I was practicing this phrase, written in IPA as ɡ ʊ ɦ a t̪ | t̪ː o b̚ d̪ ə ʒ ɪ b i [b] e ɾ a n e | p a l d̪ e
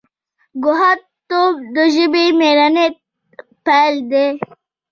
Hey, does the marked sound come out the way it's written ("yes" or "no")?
no